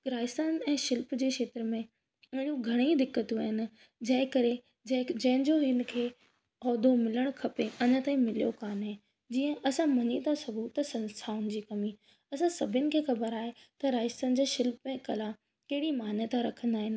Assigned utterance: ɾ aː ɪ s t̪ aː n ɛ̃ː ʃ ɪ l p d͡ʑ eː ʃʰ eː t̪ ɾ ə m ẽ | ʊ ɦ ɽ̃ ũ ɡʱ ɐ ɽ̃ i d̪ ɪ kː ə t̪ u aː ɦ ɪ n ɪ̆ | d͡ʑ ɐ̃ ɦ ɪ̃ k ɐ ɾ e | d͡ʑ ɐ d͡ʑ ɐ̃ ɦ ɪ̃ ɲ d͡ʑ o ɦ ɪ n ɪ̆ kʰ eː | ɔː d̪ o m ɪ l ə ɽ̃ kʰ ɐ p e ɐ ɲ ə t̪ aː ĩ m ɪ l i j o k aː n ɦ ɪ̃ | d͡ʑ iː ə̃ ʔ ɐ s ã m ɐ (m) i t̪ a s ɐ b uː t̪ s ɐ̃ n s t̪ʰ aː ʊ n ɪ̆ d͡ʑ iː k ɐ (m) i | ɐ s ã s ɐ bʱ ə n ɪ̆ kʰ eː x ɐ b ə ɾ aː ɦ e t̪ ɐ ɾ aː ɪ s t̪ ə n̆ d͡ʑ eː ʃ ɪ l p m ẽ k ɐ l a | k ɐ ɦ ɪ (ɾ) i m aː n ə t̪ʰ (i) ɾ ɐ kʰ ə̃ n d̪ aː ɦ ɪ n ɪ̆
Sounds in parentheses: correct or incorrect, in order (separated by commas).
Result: incorrect, correct, incorrect, incorrect